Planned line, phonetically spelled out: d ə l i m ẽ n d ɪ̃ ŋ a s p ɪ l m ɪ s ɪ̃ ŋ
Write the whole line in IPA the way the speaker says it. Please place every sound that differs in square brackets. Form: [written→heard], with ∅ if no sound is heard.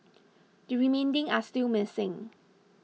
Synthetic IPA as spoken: d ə [l→ɹ] i m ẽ n d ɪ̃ ŋ a s [p→t] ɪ l m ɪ s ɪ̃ ŋ